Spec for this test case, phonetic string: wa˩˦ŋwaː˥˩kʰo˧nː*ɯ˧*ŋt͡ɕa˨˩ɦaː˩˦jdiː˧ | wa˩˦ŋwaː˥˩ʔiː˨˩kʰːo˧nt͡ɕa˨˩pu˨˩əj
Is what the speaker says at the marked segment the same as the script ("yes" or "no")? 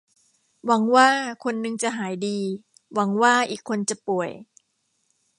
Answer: yes